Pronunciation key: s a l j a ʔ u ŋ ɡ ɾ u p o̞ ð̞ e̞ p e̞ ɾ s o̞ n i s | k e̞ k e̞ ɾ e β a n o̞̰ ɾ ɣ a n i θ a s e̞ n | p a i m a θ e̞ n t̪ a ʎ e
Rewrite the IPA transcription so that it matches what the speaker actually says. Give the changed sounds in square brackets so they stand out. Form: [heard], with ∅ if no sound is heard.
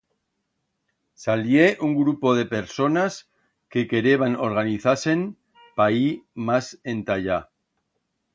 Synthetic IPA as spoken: s a l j [e] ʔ u ŋ ɡ ɾ u p o̞ ð̞ e̞ p e̞ ɾ s o̞ n [a] s | k e̞ k e̞ ɾ e β a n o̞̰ ɾ ɣ a n i θ a s e̞ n | p a i m a [s] e̞ n t̪ a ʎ [a]